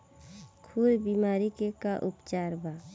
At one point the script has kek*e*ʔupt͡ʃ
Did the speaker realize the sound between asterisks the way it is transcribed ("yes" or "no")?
no